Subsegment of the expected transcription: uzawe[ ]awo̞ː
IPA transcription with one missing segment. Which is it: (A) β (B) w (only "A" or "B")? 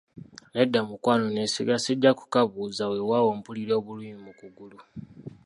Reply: B